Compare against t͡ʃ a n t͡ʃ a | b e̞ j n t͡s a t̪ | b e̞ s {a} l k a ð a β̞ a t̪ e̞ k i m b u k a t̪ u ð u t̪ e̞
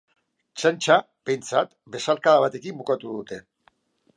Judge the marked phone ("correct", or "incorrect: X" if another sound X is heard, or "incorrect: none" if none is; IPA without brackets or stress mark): correct